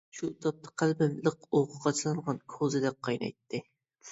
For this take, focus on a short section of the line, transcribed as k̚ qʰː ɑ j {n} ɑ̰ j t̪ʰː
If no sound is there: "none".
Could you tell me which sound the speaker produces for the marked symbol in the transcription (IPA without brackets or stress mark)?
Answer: n